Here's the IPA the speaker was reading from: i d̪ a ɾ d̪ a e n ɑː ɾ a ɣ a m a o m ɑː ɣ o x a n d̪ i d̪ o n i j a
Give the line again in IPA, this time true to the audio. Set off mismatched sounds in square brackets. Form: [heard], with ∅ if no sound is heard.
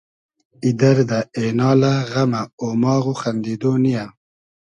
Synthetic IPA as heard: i d̪ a ɾ d̪ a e n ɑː [l] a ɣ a m a o m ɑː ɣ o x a n d̪ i d̪ o n i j a